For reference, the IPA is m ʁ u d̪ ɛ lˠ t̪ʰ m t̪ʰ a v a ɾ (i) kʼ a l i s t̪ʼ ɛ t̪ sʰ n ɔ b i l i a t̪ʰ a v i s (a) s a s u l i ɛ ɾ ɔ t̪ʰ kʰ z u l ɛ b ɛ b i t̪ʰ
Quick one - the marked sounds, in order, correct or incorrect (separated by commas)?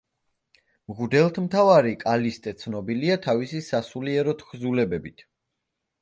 correct, incorrect